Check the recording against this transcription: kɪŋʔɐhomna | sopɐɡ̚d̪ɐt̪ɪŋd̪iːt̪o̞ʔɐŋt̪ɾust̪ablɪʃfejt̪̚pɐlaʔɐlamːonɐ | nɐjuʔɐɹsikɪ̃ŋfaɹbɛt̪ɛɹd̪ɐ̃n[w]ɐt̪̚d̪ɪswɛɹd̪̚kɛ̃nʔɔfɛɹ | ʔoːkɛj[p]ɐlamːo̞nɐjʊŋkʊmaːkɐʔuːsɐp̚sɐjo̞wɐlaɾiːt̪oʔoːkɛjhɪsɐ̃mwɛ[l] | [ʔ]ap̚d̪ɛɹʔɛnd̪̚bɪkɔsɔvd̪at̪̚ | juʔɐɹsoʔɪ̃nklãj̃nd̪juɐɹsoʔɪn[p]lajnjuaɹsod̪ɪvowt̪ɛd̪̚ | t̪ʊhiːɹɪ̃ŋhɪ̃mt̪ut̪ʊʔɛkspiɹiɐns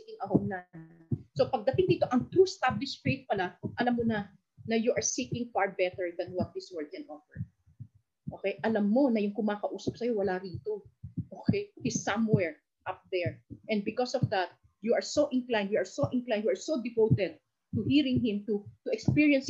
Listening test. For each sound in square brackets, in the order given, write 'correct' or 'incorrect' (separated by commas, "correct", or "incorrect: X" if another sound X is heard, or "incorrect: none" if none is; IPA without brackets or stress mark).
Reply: correct, incorrect: ʔ, incorrect: ɹ, correct, incorrect: k